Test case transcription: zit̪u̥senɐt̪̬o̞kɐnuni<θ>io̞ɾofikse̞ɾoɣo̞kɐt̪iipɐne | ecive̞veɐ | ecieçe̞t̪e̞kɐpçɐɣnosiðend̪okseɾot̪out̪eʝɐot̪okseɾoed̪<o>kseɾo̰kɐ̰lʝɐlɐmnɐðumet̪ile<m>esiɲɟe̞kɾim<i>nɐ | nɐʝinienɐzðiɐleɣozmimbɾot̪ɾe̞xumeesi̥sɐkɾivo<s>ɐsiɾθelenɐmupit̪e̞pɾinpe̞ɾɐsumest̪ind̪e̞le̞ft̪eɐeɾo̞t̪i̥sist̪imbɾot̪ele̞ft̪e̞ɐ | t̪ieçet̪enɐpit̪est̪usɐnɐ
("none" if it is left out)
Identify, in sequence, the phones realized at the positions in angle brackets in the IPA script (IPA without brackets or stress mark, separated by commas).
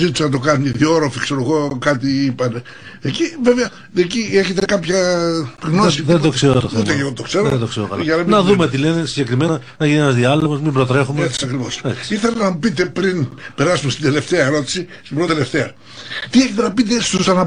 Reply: ð, o, n, e, s